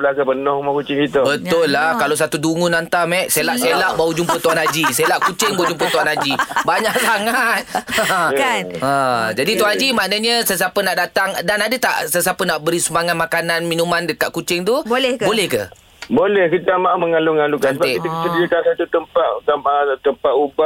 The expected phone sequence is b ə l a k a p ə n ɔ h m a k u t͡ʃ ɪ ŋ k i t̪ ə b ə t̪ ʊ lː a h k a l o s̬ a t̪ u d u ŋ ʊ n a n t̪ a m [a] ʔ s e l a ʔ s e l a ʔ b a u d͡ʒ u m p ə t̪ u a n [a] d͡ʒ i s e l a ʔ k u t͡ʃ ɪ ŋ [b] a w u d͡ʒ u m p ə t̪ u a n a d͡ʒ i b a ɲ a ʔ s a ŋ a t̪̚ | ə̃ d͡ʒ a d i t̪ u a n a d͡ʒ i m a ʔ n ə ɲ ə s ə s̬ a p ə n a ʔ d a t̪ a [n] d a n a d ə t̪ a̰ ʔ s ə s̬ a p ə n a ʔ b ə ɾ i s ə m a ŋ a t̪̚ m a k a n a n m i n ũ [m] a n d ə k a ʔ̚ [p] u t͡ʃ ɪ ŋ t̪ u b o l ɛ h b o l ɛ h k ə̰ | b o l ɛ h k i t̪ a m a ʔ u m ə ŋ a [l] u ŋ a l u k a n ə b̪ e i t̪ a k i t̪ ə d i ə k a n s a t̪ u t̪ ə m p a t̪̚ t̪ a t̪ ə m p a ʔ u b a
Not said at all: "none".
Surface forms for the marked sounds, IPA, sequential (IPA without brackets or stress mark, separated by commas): ɛ, a, b, ŋ, m, k, l